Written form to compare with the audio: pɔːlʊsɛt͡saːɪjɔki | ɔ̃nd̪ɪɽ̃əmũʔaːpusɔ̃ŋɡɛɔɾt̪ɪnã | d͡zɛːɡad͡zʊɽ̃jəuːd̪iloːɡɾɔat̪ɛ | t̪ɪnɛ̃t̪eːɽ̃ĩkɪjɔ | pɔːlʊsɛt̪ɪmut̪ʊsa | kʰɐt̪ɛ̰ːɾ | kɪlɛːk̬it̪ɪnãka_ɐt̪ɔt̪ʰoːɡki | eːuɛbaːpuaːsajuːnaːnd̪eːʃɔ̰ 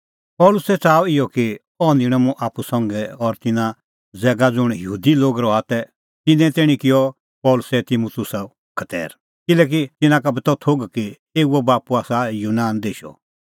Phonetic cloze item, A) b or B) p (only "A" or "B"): A